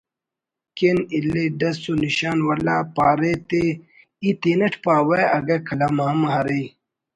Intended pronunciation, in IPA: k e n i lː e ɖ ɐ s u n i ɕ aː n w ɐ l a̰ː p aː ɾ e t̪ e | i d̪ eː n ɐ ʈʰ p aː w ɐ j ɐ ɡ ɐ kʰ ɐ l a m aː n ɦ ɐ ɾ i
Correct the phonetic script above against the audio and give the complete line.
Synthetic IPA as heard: k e n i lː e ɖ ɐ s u n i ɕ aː n w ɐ l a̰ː p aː ɾ e t̪ e | i t̪ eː n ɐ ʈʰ p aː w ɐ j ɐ ɡ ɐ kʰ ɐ l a m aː m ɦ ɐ ɾ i